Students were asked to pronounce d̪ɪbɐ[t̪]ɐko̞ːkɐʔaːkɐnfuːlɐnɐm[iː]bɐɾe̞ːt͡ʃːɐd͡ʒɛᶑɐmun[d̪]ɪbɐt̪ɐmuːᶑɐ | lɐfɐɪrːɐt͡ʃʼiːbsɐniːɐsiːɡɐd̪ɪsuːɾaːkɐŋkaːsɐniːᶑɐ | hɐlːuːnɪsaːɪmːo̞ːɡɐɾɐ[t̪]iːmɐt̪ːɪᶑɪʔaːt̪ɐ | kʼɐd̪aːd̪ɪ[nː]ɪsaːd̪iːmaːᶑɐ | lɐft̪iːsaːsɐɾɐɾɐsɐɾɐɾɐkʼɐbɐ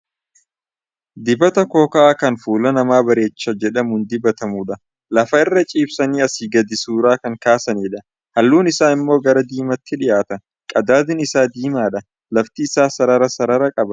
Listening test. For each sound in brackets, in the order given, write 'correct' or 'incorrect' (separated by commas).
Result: correct, incorrect, correct, incorrect, incorrect